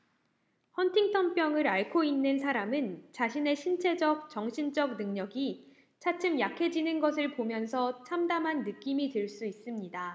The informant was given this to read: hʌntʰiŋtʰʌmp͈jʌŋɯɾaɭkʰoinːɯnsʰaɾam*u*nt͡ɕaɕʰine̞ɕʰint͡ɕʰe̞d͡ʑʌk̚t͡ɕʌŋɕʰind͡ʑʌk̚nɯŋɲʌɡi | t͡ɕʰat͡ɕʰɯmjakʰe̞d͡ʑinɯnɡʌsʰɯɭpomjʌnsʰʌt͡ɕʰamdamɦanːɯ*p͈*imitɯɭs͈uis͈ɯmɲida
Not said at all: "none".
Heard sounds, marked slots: ɯ, k͈

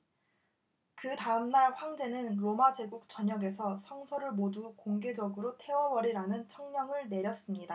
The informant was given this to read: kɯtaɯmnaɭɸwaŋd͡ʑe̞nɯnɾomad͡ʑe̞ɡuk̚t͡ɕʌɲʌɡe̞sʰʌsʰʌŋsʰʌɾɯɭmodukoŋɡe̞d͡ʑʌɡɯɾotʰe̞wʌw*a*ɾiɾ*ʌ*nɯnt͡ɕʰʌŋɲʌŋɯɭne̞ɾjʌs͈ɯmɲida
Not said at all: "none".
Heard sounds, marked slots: ʌ, a

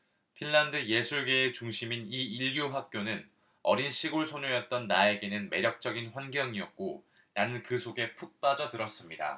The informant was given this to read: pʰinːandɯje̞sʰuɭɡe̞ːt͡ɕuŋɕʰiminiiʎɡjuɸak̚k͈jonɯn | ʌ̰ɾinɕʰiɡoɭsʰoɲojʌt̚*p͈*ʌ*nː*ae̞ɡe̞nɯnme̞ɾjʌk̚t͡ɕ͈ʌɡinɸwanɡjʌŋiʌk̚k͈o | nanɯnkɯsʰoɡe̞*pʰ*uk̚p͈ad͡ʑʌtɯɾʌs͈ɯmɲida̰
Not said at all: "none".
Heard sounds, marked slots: t͈, nː, pʰ

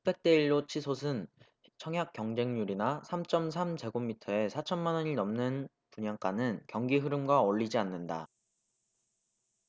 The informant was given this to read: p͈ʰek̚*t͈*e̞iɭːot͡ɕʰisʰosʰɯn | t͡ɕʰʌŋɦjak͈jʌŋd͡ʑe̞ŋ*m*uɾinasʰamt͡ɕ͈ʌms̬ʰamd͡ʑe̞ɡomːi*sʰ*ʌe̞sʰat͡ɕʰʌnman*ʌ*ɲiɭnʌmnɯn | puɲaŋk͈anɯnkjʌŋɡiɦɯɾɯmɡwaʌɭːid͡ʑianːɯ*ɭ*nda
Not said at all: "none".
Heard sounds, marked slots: t͈, ɲ, tʰ, ʌ, none

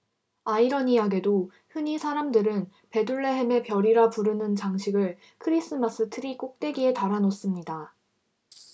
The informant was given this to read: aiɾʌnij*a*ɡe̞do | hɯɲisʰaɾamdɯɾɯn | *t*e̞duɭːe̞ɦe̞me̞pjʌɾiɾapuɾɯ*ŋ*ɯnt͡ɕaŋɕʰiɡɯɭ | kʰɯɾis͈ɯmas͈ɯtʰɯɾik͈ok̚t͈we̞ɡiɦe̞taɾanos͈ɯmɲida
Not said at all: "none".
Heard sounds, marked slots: a, p, n

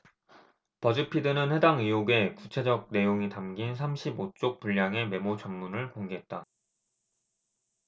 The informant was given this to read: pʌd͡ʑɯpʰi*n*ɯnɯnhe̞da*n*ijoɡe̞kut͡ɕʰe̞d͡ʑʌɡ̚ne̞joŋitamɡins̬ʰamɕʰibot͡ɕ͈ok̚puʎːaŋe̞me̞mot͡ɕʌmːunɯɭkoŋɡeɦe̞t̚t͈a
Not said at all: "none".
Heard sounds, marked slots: d, ŋ

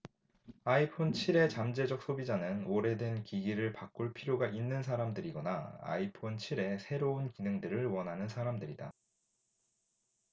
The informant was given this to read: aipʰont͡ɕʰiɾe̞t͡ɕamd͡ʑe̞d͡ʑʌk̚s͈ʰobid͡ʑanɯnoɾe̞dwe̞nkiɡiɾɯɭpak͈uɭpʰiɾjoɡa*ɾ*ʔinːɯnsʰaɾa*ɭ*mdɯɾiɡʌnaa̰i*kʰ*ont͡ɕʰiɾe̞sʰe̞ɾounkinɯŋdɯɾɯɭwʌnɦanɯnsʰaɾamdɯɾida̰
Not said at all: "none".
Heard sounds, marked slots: none, none, pʰ

